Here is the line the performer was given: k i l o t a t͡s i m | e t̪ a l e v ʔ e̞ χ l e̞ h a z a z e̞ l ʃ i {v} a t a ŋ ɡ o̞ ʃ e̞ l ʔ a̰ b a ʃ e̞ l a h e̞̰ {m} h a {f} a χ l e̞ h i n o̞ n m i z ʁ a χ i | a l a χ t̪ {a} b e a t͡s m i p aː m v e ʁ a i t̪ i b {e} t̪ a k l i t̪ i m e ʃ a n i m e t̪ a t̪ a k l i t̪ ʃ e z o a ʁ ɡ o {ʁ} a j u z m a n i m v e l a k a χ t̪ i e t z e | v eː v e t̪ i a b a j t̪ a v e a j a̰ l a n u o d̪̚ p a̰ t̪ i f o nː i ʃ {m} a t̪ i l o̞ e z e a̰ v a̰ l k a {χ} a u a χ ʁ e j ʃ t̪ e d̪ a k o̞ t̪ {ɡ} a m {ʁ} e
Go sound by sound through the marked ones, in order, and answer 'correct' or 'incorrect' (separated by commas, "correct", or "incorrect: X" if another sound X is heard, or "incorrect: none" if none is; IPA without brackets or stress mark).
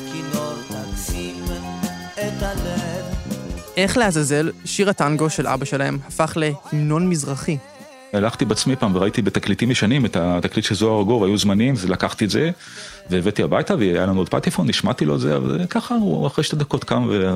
incorrect: ʁ, correct, correct, incorrect: i, correct, incorrect: v, correct, correct, incorrect: k, incorrect: v